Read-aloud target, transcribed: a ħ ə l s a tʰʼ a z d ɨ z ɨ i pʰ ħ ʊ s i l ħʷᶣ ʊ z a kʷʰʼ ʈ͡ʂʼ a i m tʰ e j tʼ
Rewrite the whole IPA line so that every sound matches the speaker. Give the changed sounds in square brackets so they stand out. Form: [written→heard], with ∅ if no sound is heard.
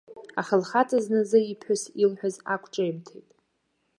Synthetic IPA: a [ħ→χ] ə l [s→χ] a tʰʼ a z [d→n] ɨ z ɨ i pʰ ħ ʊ s i l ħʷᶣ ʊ z a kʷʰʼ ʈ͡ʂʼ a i m tʰ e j tʼ

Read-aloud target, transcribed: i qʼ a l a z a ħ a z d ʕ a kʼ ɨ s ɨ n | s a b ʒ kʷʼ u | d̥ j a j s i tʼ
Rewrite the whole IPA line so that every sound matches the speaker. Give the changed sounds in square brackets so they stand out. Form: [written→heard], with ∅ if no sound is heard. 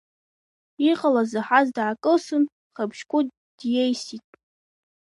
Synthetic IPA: i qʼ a l a z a ħ a z d ʕ a kʼ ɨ s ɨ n | [s→χ] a b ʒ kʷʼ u | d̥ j [a→e] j s i tʼ

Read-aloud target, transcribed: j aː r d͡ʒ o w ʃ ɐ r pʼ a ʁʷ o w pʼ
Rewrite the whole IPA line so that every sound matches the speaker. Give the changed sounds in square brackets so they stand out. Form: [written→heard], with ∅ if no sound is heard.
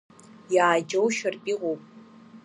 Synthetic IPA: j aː [r→∅] d͡ʒ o w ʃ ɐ r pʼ [a→i] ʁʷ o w pʼ

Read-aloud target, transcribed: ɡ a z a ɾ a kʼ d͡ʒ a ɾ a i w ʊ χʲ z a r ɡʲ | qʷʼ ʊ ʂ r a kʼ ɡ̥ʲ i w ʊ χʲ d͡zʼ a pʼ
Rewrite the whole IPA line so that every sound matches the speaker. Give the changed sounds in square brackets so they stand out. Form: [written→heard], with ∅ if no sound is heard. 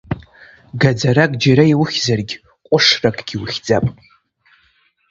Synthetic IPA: ɡ a [z→d͡z] a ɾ a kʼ d͡ʒ a ɾ a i w ʊ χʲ z a r ɡʲ | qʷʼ ʊ ʂ r a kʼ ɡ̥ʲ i w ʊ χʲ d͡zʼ a pʼ

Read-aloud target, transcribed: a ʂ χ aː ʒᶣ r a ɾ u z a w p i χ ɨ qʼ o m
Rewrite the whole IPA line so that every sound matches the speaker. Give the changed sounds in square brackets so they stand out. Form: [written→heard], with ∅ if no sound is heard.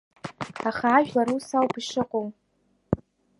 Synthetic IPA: a [ʂ→∅] χ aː ʒᶣ [r→l] a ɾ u [z→s] a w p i [χ→ʂ] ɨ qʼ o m

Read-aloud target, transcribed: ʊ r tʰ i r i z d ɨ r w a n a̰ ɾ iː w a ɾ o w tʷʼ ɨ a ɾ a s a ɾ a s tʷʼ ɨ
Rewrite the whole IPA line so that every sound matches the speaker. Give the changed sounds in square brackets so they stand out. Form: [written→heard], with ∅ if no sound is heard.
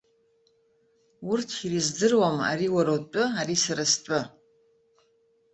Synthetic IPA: ʊ r tʰ i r i z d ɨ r w a [n→m] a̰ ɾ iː w a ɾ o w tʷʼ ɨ a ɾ [a→i] s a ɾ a s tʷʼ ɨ

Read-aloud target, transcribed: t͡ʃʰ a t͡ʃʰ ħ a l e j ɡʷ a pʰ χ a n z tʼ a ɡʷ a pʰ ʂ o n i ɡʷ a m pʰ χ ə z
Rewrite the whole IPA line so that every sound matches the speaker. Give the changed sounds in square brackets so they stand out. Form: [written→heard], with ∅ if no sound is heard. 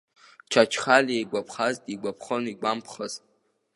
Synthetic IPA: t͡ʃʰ a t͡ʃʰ [ħ→χ] a l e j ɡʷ a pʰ χ a [n→∅] z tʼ [a→i] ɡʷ a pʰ [ʂ→χ] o n i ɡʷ a m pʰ χ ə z

